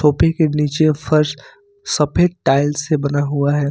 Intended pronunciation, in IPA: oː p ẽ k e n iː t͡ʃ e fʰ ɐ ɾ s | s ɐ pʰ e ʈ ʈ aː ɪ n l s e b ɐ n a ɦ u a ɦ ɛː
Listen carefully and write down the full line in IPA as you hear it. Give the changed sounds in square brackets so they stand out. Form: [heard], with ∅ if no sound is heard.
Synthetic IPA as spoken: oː p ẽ k e n iː t͡ʃ e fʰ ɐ ɾ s | s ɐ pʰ e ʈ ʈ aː ɪ [∅] l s e b ɐ n a ɦ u a ɦ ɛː